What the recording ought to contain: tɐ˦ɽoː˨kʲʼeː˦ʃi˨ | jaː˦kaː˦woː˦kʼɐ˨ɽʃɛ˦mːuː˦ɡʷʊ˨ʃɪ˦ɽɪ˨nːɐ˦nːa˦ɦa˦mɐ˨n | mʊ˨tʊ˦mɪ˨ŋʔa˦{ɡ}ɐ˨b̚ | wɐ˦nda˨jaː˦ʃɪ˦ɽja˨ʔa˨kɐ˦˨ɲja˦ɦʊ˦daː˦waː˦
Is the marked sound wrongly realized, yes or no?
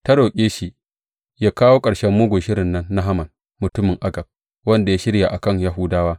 no